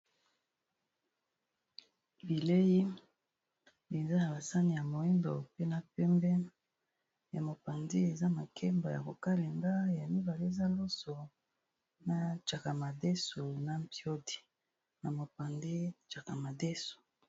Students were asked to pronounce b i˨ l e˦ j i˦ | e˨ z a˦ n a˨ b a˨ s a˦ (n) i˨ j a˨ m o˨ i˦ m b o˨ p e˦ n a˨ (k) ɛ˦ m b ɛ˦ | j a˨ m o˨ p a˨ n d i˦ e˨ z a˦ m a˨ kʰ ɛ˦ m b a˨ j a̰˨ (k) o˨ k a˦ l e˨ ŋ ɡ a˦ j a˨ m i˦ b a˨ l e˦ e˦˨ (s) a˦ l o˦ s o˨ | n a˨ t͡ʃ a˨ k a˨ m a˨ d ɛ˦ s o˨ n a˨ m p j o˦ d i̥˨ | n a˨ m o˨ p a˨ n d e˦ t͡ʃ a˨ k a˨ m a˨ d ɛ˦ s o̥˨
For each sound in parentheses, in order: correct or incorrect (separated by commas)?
correct, incorrect, correct, incorrect